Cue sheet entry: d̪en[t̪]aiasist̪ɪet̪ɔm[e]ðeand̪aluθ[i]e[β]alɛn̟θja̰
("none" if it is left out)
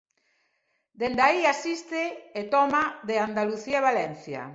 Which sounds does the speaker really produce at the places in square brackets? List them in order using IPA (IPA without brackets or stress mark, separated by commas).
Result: d̪, a, i, β